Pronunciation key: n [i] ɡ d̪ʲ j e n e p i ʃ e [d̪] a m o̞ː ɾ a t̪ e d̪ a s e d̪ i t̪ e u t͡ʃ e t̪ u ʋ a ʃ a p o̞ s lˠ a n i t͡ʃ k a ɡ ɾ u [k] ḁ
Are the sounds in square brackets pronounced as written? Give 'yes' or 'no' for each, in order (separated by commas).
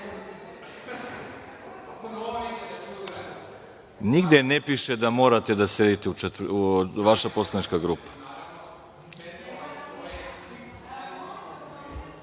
yes, yes, no